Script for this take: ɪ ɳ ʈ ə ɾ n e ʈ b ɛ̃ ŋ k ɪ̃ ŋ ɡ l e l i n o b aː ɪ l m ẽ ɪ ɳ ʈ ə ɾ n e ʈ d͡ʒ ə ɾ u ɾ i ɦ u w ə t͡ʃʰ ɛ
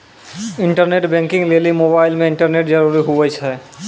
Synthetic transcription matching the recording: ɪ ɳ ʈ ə ɾ n e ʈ b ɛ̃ ŋ k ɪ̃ ŋ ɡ l e l i m o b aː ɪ l m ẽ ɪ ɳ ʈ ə ɾ n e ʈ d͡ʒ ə ɾ u ɾ i ɦ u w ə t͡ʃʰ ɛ